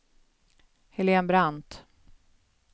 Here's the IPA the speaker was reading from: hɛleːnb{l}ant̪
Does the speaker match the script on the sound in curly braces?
no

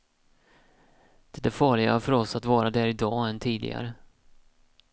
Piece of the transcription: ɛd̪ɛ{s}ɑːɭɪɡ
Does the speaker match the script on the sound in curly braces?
no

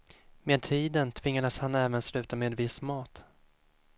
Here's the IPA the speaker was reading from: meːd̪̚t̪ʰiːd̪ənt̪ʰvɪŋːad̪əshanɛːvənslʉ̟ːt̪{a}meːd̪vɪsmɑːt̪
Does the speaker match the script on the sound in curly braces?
yes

